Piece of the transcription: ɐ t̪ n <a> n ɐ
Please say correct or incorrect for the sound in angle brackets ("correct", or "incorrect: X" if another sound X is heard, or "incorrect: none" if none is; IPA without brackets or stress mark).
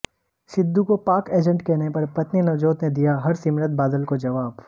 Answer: incorrect: i